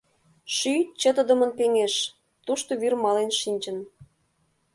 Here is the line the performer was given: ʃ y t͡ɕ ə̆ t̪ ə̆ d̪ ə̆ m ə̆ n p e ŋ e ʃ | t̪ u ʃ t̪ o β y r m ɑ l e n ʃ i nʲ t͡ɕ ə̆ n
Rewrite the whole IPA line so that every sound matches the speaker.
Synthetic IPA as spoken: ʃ y t͡ɕ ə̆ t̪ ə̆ d̪ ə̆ m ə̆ n p e ŋ e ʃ | t̪ u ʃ t̪ o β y r m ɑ l e n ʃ i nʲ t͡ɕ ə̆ n